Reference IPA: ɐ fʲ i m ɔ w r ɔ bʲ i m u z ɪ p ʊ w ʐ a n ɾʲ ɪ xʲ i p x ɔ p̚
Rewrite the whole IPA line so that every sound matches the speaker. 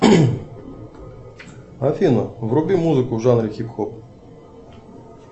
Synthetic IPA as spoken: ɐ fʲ i n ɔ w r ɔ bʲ i m u z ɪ k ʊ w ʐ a n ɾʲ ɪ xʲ i p x ɔ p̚